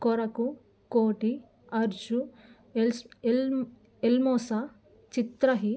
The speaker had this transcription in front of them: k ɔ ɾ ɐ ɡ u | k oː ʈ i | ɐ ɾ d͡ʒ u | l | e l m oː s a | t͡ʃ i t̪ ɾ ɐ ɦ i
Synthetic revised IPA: k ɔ ɾ ɐ k u | k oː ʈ i | ɐ ɾ d͡ʒ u | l | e l m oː s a | t͡ʃ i t̪ ɾ ɐ ɦ i